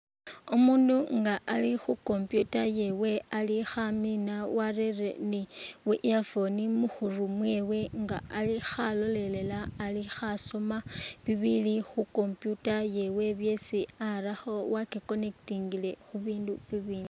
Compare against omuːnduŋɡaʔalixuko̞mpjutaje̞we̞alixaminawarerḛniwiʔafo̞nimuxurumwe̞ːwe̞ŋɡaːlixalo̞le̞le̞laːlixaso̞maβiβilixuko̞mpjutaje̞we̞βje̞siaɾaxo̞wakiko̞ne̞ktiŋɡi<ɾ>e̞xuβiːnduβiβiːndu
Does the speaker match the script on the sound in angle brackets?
no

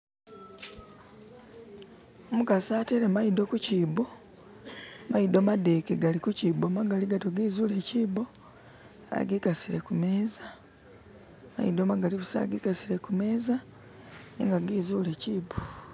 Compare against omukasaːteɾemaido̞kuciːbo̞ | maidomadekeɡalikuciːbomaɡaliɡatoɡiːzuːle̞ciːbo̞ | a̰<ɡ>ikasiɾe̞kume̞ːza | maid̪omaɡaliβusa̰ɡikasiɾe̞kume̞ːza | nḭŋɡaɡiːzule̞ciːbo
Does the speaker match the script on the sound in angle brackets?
yes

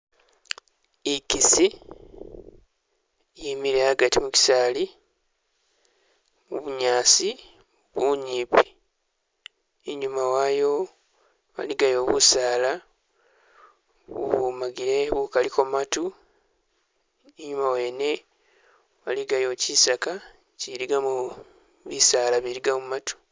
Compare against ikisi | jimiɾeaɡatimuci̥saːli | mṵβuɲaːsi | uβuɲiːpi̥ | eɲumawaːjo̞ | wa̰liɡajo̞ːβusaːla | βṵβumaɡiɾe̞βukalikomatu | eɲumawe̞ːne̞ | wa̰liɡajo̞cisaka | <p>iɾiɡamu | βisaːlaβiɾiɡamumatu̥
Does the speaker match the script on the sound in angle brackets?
no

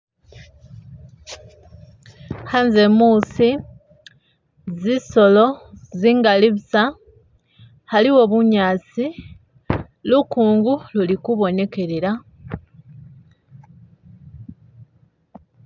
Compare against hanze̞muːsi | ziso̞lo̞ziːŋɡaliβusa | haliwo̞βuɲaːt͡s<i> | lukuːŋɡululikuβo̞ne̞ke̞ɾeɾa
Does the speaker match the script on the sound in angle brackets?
yes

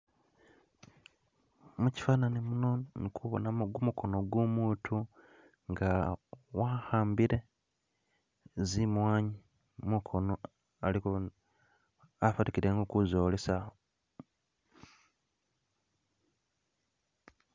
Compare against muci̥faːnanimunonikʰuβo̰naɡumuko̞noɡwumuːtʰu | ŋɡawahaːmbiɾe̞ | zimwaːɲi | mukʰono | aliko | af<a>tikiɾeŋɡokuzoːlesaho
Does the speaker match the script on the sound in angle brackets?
yes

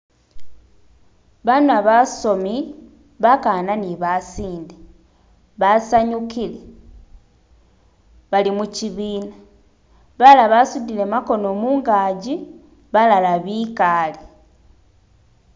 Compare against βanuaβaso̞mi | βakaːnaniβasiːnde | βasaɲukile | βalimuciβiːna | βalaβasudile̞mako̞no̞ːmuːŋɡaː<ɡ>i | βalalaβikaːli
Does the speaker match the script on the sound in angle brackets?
no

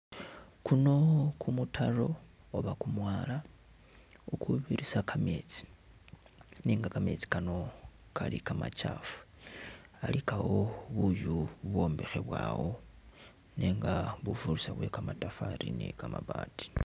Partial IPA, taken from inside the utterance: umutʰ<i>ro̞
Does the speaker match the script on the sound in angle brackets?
no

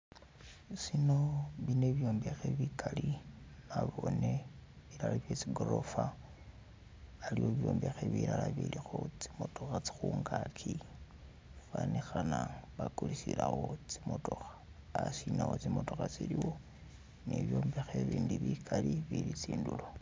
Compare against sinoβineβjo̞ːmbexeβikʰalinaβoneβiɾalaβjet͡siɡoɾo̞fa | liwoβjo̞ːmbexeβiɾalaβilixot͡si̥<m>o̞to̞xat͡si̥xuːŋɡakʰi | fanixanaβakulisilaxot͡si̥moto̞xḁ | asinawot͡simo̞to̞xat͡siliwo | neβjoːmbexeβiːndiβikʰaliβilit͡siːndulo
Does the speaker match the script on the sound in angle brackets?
yes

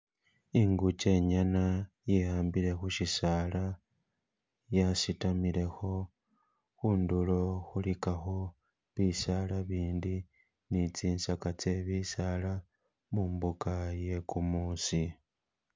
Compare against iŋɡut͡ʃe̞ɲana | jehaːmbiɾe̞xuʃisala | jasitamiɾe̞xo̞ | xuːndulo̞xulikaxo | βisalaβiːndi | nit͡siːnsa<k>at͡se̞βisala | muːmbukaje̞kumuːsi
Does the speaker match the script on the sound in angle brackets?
yes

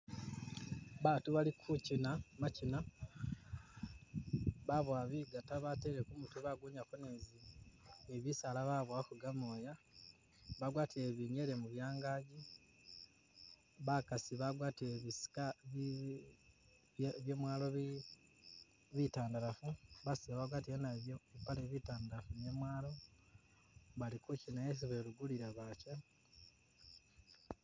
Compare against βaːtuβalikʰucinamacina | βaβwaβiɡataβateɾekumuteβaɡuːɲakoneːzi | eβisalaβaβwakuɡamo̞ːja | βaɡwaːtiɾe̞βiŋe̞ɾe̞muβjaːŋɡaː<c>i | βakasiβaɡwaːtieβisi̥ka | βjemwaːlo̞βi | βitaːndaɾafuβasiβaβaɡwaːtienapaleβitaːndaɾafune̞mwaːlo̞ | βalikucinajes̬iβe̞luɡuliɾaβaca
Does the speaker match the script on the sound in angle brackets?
no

